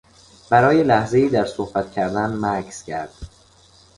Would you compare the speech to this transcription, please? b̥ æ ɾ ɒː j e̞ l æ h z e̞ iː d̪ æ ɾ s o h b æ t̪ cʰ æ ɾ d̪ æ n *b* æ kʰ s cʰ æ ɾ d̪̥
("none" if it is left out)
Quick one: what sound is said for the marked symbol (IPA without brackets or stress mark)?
m